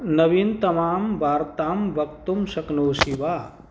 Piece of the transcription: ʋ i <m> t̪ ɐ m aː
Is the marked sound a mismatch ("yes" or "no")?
yes